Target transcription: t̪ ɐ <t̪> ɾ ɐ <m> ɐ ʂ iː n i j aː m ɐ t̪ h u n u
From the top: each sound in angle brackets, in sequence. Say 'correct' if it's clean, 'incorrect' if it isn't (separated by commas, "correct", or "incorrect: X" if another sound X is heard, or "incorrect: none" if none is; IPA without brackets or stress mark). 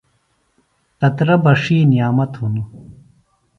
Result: correct, incorrect: b